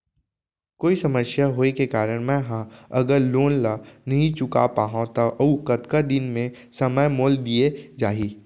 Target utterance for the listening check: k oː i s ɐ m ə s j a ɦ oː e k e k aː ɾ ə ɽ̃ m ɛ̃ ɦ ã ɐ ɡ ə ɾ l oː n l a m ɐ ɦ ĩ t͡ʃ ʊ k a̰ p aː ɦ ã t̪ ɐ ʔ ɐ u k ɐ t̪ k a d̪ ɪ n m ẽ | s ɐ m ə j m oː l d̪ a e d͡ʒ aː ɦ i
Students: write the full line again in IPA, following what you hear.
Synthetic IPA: k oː i s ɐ m ə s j a ɦ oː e k e k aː ɾ ə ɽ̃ m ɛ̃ ɦ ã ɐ ɡ ə ɾ l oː n l a n ɐ ɦ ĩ t͡ʃ ʊ k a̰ p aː ɦ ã t̪ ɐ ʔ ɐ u k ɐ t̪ k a d̪ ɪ n m ẽ | s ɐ m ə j m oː l d̪ i e d͡ʒ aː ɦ i